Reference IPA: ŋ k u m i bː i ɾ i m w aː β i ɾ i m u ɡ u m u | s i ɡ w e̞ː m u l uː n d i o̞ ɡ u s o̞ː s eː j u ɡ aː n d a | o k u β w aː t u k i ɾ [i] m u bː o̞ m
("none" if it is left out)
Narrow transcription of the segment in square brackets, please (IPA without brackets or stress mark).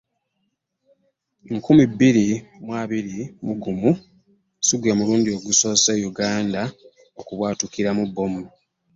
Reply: a